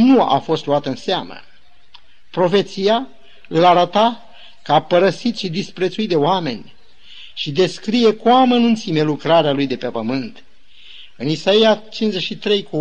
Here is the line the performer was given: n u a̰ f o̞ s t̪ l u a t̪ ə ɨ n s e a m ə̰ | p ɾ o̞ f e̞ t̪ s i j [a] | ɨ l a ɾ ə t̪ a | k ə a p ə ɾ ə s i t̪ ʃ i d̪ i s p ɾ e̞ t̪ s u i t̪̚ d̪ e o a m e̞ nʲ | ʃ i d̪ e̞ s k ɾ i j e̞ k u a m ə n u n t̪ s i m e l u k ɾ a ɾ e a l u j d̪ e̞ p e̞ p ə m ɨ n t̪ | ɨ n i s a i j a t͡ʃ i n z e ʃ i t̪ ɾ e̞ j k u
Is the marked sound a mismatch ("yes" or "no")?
no